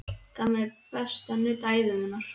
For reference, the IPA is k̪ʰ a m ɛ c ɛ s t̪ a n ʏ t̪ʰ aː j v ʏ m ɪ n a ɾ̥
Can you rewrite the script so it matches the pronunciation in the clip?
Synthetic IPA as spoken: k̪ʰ a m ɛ p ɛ s t̪ a n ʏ t̪ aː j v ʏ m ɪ n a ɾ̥